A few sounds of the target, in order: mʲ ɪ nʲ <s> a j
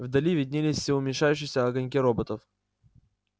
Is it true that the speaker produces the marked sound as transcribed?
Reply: no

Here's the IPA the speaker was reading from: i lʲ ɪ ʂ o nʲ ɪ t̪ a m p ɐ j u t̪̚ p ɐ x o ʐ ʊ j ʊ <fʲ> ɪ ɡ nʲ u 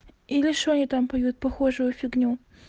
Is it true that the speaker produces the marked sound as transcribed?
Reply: yes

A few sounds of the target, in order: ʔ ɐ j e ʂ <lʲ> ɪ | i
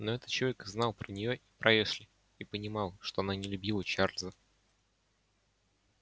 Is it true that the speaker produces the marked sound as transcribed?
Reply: yes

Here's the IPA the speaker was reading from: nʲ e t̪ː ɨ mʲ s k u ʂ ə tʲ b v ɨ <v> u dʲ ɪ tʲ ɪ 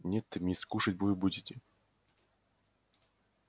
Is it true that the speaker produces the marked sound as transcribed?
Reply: no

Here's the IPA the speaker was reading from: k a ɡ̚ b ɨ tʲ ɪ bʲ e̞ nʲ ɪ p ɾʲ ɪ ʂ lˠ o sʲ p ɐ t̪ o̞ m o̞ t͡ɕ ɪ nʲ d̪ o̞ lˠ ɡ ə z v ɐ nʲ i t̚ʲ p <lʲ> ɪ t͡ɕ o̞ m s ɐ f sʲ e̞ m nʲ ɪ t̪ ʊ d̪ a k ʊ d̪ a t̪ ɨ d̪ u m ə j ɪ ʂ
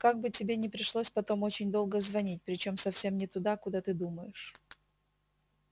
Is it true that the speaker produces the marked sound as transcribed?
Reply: no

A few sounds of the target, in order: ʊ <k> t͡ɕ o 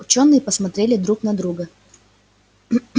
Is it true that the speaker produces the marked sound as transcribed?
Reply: no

